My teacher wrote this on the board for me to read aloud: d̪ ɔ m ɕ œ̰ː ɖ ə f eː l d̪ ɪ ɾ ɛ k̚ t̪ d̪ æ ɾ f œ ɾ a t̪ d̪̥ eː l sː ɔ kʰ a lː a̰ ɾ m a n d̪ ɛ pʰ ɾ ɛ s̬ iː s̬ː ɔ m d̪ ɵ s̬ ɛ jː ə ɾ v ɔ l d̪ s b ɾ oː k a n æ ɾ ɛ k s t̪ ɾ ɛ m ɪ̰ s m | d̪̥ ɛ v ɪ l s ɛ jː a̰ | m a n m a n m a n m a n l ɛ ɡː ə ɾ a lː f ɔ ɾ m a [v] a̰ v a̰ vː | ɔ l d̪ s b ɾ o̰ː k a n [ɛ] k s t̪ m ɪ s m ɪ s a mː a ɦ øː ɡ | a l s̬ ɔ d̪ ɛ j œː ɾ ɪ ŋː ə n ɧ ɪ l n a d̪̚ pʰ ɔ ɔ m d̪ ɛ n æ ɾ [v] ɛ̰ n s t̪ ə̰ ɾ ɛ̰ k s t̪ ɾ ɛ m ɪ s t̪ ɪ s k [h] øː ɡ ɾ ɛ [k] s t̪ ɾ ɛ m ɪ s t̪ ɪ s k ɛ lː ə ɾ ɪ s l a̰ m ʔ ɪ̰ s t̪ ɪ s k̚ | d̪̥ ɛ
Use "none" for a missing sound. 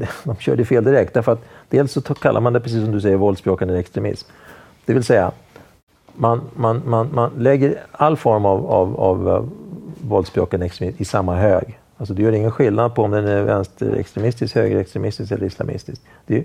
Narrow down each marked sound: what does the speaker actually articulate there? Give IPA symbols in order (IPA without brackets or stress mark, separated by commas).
v, ɛ, v, h, k